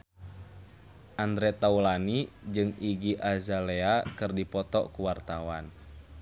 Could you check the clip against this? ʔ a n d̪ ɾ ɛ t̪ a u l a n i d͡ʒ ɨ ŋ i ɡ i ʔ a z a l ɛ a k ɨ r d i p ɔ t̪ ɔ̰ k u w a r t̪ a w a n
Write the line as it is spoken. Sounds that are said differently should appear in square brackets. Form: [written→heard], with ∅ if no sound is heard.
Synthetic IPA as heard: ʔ a n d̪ ɾ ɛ t̪ a u l a n i d͡ʒ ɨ ŋ i ɡ i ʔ a z a l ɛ a k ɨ r d i p ɔ t̪ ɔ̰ k u w a r t̪ a w a n